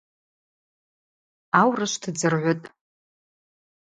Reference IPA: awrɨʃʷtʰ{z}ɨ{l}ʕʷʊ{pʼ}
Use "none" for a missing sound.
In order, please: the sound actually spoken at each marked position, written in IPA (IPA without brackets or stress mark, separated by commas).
d͡z, r, tʼ